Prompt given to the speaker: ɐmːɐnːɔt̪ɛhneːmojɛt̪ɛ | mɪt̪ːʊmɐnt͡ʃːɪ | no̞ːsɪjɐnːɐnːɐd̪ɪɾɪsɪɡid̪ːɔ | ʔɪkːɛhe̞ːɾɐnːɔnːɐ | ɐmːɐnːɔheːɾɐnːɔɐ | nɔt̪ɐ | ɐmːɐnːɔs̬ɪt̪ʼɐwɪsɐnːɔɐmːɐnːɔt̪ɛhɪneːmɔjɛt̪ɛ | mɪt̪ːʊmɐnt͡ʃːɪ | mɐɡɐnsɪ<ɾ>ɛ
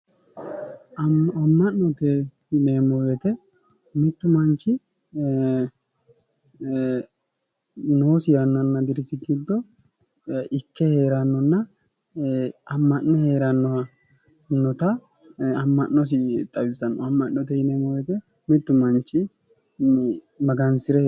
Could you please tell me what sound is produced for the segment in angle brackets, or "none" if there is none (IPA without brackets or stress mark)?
ɾ